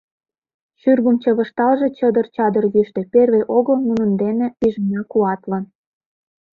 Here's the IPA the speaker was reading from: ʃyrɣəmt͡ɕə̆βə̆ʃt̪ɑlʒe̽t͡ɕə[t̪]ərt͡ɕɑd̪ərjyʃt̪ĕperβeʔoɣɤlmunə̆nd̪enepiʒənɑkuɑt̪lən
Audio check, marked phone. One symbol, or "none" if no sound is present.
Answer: d̪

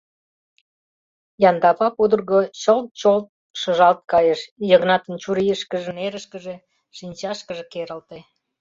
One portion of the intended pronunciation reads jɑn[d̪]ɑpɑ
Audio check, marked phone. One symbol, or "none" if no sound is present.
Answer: d̪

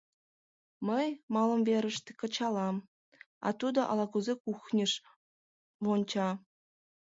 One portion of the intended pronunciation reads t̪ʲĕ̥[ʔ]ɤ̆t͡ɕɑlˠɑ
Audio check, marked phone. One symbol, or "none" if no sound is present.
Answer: k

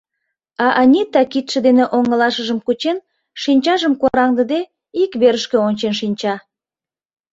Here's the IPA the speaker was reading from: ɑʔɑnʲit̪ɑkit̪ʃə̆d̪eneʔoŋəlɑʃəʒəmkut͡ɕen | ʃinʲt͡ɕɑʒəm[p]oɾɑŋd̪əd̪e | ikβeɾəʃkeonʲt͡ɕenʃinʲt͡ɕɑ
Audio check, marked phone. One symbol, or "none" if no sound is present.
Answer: k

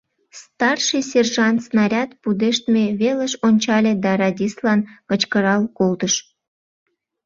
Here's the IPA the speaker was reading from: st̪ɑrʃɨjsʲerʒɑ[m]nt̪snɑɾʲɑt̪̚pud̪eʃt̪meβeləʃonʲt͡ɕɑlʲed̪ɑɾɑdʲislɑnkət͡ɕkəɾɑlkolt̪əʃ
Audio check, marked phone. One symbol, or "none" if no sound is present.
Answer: none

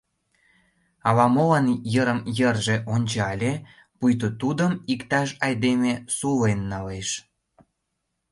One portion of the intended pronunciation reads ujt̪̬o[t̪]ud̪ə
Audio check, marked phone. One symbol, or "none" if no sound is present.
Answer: t̪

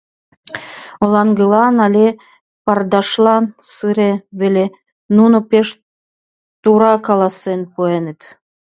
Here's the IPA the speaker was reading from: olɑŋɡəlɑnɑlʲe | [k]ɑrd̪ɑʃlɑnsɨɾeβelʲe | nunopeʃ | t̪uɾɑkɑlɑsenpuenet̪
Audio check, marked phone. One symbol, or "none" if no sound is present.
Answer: p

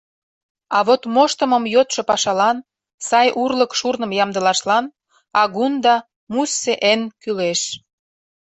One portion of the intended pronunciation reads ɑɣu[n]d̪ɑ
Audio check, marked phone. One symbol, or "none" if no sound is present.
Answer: n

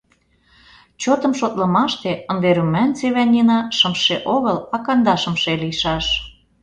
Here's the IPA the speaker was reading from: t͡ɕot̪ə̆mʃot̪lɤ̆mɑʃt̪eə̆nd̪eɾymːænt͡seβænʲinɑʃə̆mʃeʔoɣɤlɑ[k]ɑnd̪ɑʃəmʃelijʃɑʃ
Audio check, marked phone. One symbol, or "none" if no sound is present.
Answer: k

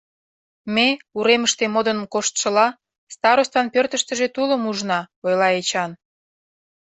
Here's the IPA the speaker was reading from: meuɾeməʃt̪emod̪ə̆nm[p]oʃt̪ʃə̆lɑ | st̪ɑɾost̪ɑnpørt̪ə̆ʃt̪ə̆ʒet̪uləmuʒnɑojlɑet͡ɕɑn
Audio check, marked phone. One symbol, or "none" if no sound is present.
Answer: k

